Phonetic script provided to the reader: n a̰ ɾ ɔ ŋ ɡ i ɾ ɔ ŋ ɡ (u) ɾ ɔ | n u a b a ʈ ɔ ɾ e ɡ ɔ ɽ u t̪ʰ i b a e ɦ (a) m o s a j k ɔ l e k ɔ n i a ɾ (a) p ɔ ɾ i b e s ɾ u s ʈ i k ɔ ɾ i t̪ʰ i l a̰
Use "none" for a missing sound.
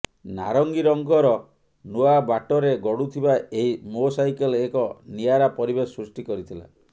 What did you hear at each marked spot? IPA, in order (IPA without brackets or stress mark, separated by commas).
ɔ, i, a